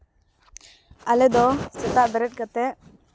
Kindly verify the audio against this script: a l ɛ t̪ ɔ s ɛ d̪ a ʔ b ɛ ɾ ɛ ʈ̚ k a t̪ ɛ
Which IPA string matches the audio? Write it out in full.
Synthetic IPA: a l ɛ d̪ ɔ s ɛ t̪ a ʔ b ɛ ɾ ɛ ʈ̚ k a t̪ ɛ